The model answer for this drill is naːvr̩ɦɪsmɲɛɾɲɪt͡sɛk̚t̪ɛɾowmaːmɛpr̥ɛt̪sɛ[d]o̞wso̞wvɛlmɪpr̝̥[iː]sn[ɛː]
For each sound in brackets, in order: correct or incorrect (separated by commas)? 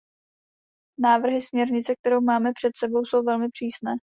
incorrect, correct, correct